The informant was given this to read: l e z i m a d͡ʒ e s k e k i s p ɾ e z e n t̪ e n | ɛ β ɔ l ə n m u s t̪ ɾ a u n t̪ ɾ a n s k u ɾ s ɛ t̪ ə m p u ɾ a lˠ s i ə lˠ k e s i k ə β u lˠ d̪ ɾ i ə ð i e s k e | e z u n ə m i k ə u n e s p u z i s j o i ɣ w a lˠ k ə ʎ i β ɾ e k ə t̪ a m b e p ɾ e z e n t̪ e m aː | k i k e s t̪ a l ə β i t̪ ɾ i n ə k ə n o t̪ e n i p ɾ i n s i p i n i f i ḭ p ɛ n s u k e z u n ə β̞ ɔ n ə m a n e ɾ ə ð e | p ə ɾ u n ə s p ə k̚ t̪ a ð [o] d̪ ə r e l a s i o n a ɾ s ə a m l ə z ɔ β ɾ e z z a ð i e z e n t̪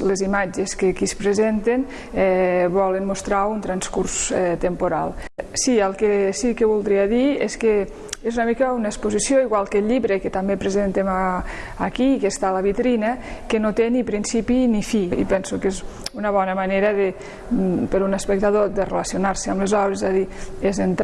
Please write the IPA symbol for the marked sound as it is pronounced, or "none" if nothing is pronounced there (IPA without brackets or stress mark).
o